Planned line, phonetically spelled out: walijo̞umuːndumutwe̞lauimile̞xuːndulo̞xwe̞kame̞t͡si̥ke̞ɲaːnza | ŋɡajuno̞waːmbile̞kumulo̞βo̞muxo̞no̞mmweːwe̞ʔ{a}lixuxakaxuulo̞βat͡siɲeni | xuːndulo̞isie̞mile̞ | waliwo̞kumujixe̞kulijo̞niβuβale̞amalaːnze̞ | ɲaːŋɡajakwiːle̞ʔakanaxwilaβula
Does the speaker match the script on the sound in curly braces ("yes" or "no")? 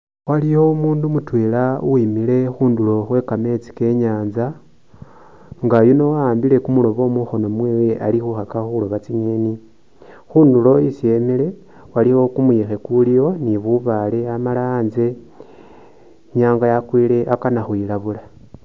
yes